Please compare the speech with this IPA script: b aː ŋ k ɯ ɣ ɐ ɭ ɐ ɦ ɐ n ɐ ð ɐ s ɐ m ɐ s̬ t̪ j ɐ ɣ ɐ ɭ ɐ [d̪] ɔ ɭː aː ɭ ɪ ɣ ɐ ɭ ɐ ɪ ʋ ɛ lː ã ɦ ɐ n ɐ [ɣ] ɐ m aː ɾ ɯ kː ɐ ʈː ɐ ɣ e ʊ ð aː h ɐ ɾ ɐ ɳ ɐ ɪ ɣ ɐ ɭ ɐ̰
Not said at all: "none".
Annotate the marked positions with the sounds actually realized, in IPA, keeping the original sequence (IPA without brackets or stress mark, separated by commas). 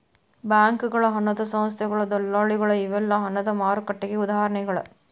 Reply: d̪, ð